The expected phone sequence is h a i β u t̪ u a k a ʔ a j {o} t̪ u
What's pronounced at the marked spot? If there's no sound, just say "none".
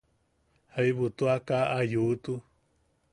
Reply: u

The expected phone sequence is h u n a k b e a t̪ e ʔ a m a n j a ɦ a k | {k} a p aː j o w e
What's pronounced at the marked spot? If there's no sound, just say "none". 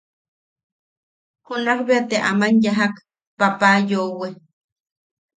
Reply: p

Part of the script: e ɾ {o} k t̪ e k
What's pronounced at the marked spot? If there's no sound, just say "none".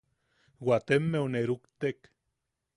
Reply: u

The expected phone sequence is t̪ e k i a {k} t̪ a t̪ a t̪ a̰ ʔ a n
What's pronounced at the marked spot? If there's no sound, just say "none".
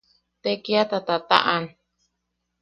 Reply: none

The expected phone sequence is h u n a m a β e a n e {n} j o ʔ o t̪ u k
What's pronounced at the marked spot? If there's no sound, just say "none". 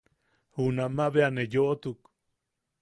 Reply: none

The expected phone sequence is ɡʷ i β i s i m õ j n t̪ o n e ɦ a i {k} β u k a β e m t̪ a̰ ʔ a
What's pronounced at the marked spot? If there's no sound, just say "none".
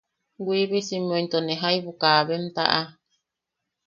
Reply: none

